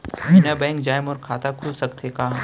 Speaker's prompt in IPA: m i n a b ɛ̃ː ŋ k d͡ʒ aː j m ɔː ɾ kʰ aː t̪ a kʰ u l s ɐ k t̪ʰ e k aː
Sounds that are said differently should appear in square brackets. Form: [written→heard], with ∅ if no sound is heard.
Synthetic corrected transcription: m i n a b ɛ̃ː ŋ k d͡ʒ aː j m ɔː ɾ kʰ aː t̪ a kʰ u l s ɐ k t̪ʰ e k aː